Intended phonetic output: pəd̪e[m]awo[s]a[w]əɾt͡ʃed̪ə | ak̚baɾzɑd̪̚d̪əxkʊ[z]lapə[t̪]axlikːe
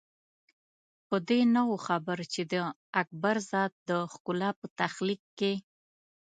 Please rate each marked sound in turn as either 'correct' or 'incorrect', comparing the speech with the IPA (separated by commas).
incorrect, incorrect, incorrect, incorrect, correct